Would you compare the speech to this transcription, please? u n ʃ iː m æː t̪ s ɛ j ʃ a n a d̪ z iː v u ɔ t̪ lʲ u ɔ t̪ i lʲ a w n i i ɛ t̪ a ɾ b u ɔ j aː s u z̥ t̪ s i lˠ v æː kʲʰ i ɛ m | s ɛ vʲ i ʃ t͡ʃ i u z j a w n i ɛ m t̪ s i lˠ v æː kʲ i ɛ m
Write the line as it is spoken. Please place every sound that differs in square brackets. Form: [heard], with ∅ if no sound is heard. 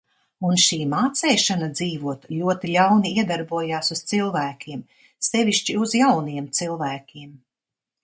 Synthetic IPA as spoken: u n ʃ iː m [aː] t̪ s ɛ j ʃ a n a d̪ z iː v u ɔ t̪ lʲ u ɔ t̪ i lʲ a w n i i ɛ [d̪] a ɾ b u ɔ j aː s u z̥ t̪ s i lˠ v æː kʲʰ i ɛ m | s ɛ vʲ i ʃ t͡ʃ i u z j a w n i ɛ m t̪ s i lˠ v æː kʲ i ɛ m